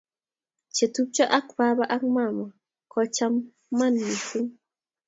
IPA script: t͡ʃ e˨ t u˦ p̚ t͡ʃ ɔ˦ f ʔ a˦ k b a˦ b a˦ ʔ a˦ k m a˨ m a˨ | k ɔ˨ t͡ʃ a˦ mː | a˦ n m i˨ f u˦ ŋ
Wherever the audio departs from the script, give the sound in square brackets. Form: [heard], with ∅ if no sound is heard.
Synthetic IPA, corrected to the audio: t͡ʃ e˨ t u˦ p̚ t͡ʃ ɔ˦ [∅] ʔ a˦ k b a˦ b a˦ ʔ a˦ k m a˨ m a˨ | k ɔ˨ t͡ʃ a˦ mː | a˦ n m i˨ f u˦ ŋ